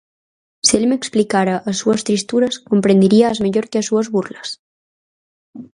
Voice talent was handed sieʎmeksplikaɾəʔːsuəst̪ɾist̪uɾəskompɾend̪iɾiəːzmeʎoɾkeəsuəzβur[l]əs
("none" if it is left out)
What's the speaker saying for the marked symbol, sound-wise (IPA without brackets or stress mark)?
l